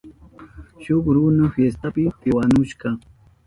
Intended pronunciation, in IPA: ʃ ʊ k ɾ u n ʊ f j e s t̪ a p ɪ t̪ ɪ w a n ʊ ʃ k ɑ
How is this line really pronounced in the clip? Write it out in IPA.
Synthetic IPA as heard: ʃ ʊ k ɾ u n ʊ f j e s t̪ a p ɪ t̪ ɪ w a n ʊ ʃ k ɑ